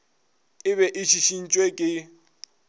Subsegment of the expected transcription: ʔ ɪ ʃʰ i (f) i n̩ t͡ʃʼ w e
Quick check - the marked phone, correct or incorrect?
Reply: incorrect: ʃ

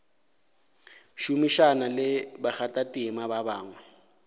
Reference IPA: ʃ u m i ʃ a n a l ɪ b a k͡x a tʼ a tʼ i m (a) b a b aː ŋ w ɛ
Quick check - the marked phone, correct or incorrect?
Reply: correct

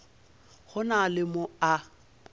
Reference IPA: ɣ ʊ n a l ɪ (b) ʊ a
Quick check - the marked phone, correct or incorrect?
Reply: incorrect: m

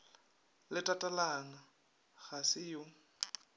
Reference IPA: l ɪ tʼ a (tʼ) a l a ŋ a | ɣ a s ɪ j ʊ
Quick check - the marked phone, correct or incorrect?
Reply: correct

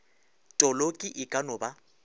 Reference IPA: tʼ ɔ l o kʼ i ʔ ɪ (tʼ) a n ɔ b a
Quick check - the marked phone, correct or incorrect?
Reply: incorrect: kʼ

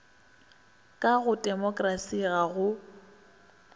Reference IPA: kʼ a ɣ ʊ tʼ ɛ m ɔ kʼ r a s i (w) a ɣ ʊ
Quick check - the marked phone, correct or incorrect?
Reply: incorrect: ɣ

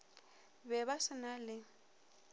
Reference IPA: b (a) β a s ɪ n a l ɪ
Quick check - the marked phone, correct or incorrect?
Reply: incorrect: ɛ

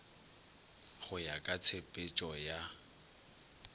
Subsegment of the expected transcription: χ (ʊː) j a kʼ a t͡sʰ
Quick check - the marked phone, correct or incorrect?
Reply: incorrect: ʊ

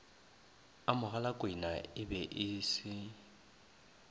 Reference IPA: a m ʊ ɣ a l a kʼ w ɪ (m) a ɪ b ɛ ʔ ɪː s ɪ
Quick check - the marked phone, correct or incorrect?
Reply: incorrect: n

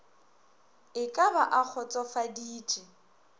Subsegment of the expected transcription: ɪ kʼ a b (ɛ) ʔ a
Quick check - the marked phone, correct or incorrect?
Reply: incorrect: a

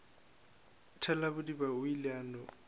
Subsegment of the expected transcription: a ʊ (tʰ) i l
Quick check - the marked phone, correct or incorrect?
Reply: incorrect: none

